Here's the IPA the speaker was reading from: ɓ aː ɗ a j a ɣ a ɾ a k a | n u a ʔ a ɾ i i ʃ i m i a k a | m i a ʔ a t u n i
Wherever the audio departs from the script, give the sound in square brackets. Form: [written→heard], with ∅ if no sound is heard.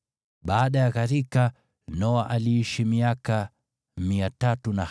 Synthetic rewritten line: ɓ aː ɗ a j a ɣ a ɾ [a→i] k a | n [u→ɔ] a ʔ a [ɾ→l] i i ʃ i m i a k a | m i a [ʔ→t] a t u n [i→a]